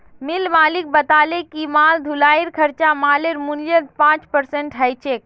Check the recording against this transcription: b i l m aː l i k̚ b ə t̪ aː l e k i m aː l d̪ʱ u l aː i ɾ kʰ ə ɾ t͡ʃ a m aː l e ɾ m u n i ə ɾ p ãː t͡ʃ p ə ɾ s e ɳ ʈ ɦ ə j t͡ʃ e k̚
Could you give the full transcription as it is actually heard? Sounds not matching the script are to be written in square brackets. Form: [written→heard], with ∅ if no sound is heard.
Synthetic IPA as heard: [b→m] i l m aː l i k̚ b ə t̪ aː l e k i m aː l d̪ʱ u l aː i ɾ kʰ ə ɾ t͡ʃ a m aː l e ɾ m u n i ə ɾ p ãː t͡ʃ p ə ɾ s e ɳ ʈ ɦ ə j t͡ʃ e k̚